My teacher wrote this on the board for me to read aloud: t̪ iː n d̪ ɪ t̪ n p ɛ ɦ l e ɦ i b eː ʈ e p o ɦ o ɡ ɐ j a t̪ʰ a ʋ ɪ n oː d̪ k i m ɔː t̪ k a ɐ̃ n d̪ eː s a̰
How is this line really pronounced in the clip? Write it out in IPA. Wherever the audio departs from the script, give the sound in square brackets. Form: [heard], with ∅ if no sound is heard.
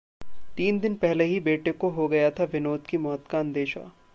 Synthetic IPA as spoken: t̪ iː n d̪ ɪ [∅] n p ɛ ɦ l e ɦ i b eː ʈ e [k] o ɦ o ɡ ɐ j a t̪ʰ a ʋ ɪ n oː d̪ k i m ɔː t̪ k a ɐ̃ n d̪ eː [ʃ] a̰